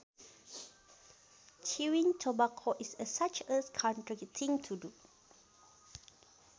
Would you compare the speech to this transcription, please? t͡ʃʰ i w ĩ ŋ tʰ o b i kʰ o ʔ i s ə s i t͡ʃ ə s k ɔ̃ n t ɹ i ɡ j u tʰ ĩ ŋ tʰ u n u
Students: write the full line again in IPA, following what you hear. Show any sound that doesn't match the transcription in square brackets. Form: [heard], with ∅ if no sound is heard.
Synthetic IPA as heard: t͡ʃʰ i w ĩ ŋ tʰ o b [a] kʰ o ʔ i s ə s [a] t͡ʃ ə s [kʰ] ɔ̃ n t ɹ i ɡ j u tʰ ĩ ŋ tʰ u [d] u